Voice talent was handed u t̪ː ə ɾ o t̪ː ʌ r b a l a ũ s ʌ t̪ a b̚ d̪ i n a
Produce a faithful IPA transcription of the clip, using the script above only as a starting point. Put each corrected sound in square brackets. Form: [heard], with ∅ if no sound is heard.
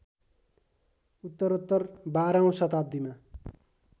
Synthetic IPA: u t̪ː [ʌ] ɾ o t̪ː ʌ r b a [ɾ] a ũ s ʌ t̪ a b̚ d̪ i [m] a